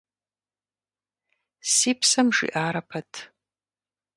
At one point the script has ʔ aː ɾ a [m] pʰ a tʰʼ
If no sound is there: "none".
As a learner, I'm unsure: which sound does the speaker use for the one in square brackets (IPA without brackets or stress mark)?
none